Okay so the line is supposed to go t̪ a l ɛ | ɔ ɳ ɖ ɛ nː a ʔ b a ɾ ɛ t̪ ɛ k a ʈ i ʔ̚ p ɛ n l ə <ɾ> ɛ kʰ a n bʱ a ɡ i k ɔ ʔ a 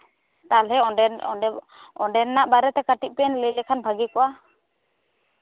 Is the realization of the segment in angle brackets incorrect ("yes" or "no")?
yes